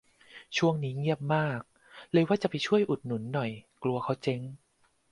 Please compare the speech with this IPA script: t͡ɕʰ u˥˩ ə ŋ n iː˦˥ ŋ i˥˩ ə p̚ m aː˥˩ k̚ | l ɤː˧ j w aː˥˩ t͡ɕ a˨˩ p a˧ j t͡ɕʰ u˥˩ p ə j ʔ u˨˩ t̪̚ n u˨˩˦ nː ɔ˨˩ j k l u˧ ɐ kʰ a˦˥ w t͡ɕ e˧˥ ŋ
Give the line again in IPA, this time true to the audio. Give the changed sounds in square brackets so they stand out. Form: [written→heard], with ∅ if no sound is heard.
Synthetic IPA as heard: t͡ɕʰ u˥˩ ə ŋ n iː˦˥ ŋ i˥˩ ə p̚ m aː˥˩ k̚ | l ɤː˧ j w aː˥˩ t͡ɕ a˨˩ p a˧ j t͡ɕʰ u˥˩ [p→∅] ə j ʔ u˨˩ t̪̚ n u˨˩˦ nː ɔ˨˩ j k l u˧ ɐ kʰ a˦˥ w t͡ɕ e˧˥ ŋ

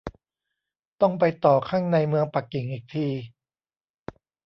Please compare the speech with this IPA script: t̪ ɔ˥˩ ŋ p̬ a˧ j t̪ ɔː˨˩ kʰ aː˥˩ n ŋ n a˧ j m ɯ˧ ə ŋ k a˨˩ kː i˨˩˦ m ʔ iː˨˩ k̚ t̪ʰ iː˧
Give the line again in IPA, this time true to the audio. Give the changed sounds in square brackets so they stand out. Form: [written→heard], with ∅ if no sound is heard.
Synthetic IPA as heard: t̪ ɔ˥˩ ŋ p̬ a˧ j t̪ ɔː˨˩ kʰ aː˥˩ [n→∅] ŋ n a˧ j m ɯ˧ ə ŋ [k→p] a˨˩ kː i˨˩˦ [m→ŋ] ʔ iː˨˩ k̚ t̪ʰ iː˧

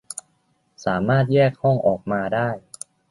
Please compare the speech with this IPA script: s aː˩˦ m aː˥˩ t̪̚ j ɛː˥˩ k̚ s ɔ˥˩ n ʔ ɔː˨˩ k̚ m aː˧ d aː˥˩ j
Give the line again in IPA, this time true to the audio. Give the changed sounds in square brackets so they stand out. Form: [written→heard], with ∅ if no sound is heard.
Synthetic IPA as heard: s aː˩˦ m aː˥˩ t̪̚ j ɛː˥˩ k̚ [s→h] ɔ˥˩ [n→ŋ] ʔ ɔː˨˩ k̚ m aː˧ d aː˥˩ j

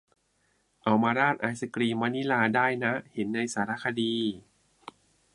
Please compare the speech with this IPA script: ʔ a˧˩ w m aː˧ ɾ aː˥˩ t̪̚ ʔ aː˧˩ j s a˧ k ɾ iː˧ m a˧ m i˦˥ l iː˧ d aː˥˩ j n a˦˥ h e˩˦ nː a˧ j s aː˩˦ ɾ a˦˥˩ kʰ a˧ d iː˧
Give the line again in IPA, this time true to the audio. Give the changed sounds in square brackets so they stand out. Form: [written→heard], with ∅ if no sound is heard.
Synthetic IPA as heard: ʔ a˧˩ w m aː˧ ɾ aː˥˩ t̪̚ ʔ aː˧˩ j s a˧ k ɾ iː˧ m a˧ [m→n] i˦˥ l [iː˧→aː˧] d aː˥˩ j n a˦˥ h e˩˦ nː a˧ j s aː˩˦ ɾ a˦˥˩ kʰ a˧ d iː˧

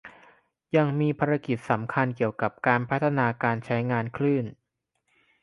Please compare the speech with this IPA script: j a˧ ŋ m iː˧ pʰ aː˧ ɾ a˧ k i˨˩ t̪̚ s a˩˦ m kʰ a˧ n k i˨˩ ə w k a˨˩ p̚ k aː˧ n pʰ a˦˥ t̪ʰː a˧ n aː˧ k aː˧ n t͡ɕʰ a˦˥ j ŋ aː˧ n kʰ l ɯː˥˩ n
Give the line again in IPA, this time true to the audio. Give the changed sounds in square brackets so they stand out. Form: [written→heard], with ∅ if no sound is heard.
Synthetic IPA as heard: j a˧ ŋ m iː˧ pʰ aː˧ ɾ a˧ k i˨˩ t̪̚ s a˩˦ m kʰ a˧ n k i˨˩ ə w k a˨˩ p̚ k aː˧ n pʰ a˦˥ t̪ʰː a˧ n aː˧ k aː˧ n t͡ɕʰ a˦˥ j ŋ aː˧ n kʰ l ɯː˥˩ n

